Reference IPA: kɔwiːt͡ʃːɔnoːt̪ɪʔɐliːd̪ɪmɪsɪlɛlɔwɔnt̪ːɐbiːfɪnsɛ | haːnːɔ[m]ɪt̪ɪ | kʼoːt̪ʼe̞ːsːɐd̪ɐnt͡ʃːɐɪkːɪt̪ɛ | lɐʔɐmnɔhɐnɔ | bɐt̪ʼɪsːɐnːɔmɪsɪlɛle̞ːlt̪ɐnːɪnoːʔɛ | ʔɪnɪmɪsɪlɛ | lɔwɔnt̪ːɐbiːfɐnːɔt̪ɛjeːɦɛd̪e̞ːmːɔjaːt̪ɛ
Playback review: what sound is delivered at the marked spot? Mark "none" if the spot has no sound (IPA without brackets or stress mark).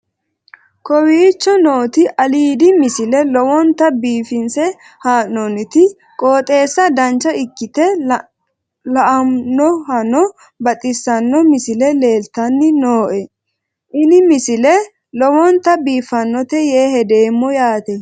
n